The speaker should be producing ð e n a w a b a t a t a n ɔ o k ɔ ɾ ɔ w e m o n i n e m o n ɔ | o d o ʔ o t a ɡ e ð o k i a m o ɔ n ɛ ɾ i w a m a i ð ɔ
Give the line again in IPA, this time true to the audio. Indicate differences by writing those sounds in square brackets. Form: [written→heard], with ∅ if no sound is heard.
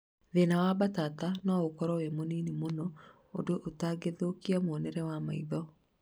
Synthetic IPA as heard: ð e n a w a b a t a t a n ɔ o k ɔ ɾ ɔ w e m o n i n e m o n ɔ | o d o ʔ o t a ɡ e ð o k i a m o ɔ n ɛ ɾ [i→ɛ] w a m a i ð ɔ